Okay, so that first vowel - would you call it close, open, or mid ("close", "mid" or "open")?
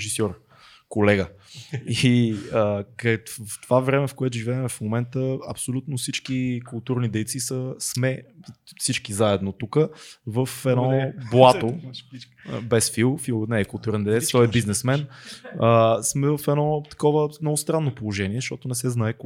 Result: close